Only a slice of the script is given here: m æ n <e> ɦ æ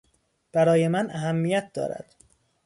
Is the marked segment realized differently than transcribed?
yes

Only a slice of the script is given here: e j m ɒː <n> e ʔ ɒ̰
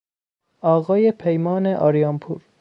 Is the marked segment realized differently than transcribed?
no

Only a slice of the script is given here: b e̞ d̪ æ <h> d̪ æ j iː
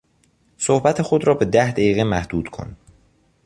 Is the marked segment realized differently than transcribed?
no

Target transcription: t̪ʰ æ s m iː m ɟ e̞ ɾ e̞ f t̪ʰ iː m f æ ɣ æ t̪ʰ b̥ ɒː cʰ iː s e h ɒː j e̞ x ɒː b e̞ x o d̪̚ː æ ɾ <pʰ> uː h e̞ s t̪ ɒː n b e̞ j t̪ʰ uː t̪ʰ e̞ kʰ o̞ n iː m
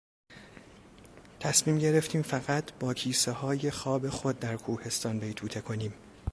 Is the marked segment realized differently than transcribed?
yes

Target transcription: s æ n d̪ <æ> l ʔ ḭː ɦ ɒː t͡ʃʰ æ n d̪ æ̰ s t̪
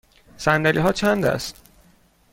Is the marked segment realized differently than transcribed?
no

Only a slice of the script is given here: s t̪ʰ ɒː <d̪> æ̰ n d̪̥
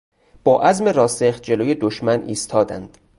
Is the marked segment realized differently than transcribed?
no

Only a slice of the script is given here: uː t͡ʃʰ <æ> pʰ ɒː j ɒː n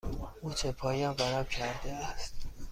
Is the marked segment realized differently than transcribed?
yes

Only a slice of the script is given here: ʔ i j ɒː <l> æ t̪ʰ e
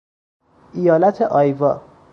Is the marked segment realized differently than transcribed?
no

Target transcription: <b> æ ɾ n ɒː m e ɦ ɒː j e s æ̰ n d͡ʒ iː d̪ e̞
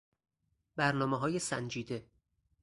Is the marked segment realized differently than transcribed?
no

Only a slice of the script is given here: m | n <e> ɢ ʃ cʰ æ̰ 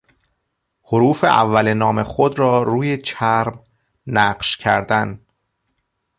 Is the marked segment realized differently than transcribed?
yes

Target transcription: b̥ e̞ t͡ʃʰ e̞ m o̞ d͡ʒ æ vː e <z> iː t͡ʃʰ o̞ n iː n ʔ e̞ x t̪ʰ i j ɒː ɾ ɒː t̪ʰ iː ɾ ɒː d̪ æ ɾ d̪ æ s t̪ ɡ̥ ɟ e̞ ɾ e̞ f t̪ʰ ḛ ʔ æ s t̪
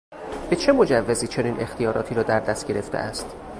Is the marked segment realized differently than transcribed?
no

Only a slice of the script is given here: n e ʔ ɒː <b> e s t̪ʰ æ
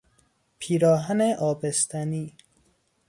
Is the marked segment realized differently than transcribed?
no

